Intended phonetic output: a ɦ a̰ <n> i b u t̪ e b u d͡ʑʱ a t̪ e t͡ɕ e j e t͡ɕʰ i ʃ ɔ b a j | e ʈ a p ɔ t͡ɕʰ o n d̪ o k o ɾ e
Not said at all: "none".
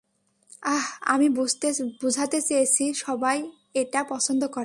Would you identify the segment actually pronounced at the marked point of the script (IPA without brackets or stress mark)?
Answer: m